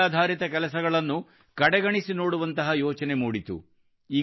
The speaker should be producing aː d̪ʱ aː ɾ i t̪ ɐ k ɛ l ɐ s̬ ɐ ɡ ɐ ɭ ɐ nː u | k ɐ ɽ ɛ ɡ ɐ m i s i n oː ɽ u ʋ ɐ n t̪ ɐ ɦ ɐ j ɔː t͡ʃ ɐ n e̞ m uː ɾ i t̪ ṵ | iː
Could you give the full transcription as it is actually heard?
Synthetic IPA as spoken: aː d̪ʱ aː ɾ i t̪ ɐ k ɛ l ɐ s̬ ɐ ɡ ɐ ɭ ɐ nː u | k ɐ ɽ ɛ ɡ ɐ ɳ i s i n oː ɽ u ʋ ɐ n t̪ ɐ ɦ ɐ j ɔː t͡ʃ ɐ n e̞ m uː ɽ i t̪ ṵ | iː